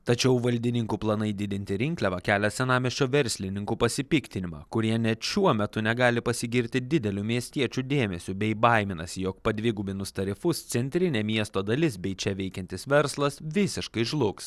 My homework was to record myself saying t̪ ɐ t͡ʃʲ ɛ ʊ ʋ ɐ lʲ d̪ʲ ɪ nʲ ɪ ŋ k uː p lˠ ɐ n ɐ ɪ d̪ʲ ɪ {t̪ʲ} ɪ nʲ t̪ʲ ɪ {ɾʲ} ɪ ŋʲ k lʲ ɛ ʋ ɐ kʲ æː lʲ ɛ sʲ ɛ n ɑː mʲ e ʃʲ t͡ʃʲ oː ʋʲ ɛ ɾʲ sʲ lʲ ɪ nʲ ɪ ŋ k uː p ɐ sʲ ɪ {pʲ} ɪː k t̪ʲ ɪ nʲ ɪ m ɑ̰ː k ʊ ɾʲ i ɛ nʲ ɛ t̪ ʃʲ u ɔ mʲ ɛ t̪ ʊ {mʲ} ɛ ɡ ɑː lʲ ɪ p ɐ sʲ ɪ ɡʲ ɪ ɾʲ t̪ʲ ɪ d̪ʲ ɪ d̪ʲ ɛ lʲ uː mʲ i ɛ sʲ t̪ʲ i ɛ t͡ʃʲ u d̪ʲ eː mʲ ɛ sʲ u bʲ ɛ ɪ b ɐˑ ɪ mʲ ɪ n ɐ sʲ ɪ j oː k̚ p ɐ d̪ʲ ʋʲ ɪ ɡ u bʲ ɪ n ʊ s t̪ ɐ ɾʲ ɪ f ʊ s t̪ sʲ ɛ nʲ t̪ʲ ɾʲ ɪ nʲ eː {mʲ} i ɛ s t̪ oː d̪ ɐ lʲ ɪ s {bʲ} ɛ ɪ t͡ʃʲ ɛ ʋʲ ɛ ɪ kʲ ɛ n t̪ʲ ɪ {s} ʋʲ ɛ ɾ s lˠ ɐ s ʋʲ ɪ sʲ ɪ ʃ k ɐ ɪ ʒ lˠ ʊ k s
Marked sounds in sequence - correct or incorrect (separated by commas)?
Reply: incorrect, correct, correct, incorrect, correct, correct, correct